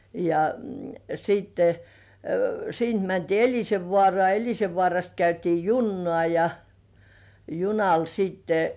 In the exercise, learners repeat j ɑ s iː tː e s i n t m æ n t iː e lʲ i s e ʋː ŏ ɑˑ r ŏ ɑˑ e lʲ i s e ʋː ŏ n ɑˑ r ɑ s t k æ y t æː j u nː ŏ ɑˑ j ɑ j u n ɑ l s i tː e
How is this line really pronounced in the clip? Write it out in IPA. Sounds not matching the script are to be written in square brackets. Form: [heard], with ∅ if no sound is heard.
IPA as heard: j ɑ s iː tː e s [iː] n t m æ n t iː e lʲ i s e ʋː ŏ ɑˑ r ŏ ɑˑ e lʲ i s e ʋː ŏ [∅] ɑˑ r ɑ s t k æ y t [iː] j u nː ŏ ɑˑ j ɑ j u n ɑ l s [iː] tː e